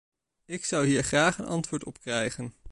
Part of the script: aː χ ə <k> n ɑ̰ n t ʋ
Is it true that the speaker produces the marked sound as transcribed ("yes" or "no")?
no